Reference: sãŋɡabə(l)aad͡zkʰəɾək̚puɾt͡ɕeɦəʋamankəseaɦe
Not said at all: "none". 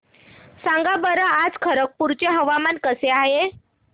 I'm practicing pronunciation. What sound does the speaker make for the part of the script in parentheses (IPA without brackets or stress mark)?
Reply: ɾ